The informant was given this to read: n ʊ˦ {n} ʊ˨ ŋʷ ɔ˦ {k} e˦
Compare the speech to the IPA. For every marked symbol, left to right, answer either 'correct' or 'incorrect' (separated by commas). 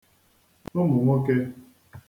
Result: incorrect, correct